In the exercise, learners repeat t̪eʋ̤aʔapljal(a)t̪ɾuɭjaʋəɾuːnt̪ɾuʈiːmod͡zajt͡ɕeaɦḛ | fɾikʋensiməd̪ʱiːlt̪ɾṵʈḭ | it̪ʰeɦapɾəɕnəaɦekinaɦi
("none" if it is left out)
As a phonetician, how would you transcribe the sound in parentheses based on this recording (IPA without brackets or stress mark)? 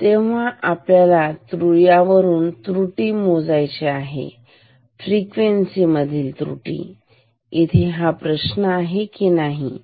a